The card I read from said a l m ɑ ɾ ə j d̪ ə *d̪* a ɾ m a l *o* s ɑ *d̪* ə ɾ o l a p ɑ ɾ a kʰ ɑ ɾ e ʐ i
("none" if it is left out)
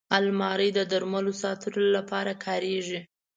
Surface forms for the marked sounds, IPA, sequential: d̪, o, t̪

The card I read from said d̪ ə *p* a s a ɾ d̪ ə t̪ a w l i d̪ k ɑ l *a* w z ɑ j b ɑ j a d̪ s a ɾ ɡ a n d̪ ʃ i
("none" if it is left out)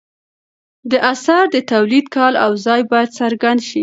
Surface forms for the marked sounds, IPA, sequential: ʔ, a

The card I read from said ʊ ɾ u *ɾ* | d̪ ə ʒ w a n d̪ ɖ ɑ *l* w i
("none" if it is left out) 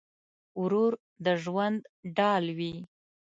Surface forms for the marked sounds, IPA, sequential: ɾ, l

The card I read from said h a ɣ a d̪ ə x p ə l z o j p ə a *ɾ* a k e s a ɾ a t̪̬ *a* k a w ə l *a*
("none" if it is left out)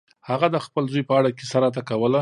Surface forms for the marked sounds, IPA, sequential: ɽ, a, a

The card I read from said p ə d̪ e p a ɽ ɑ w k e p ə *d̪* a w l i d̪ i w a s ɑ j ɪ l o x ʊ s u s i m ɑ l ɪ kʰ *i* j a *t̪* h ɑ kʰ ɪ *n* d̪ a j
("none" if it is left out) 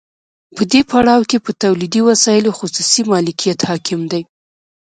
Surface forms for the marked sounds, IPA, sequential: t̪, i, t̪, m

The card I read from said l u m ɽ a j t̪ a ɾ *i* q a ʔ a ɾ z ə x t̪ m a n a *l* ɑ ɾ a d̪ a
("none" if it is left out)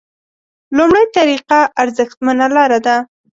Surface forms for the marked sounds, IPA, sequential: i, l

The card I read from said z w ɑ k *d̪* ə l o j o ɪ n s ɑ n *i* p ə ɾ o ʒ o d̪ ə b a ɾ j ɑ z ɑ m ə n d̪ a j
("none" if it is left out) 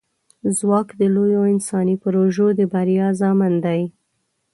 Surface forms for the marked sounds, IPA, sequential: d̪, i

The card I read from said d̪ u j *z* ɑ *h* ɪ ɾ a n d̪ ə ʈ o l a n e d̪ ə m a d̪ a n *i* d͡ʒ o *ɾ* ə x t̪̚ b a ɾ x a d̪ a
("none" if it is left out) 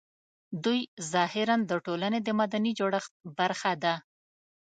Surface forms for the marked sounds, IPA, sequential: z, h, i, ɽ

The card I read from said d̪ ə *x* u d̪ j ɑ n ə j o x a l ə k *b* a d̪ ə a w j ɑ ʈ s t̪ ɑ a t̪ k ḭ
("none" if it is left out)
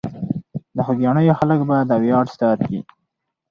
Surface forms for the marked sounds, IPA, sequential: x, b

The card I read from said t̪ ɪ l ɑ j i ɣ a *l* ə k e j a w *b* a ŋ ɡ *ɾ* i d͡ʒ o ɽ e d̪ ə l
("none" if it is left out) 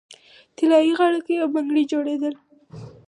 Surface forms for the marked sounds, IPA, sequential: ɽ, b, ɽ

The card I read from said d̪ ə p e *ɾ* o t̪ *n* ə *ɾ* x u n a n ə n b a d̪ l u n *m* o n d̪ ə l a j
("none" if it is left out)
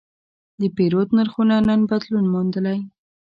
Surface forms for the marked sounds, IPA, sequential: ɾ, n, ɾ, m

